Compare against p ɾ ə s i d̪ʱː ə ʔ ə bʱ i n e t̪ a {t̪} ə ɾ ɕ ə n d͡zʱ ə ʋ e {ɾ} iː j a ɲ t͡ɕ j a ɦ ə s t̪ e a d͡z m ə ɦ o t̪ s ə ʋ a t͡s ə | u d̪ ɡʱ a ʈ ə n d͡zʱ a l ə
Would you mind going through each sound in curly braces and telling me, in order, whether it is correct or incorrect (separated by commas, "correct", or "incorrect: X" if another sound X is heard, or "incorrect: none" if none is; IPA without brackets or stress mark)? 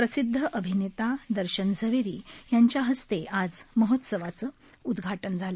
incorrect: d̪, correct